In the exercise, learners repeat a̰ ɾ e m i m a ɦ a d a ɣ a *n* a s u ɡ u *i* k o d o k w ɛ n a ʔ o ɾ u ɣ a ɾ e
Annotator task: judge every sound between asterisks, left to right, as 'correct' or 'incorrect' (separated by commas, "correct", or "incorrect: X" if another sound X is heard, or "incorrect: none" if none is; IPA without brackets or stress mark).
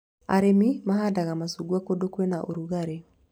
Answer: incorrect: m, incorrect: a